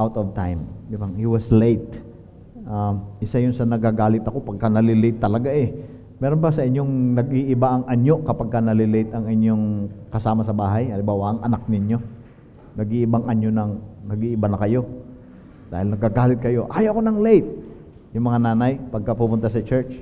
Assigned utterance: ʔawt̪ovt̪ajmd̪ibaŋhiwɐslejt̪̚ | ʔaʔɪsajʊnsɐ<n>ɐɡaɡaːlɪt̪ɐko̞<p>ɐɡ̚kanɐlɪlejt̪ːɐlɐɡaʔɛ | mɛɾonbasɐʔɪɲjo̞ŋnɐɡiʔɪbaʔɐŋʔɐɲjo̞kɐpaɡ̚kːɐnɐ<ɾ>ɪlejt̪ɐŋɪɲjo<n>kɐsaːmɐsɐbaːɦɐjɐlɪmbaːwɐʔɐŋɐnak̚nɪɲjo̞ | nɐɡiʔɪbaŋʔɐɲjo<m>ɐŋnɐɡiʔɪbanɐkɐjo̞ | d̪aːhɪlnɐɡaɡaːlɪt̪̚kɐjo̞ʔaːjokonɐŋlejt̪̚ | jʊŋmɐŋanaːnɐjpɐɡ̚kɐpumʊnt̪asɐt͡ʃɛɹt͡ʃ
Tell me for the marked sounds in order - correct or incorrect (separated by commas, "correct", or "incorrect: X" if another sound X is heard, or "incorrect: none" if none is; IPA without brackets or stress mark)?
correct, correct, incorrect: l, incorrect: ŋ, incorrect: n